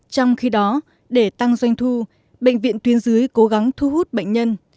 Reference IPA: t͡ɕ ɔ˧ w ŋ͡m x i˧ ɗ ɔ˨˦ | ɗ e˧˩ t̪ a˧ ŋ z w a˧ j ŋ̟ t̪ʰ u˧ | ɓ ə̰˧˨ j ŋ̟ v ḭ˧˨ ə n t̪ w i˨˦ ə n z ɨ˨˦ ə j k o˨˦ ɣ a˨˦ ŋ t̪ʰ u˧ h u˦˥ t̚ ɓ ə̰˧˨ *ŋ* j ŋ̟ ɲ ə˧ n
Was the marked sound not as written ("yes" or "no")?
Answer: yes